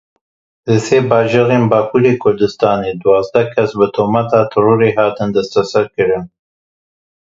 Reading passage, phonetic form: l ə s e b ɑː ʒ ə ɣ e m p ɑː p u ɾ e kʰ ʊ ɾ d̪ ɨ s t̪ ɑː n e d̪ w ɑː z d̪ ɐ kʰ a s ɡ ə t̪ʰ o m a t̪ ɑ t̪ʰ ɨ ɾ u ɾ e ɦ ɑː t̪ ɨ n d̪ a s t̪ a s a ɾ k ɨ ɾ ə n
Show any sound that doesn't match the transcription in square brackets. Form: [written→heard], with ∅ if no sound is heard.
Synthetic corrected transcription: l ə s e b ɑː ʒ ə ɣ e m [p→b] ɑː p u ɾ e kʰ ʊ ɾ d̪ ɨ s t̪ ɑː n e d̪ w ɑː z d̪ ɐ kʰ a s [ɡ→b] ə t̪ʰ o m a t̪ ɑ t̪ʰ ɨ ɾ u ɾ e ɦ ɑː t̪ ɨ n d̪ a s t̪ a s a ɾ k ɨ ɾ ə n